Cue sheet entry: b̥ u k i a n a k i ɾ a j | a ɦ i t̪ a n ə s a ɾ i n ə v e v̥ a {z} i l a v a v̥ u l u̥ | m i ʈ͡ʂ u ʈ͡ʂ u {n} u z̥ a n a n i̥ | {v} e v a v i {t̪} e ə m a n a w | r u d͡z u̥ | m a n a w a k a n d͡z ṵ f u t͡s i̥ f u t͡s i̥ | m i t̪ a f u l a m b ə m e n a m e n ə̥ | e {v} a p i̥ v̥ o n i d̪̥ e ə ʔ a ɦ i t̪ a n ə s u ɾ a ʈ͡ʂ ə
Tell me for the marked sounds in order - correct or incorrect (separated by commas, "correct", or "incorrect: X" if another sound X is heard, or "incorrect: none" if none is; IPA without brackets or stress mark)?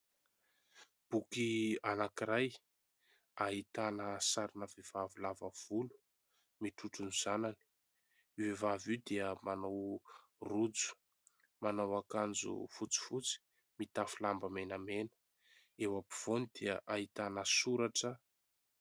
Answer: incorrect: v, correct, correct, incorrect: d̪, incorrect: w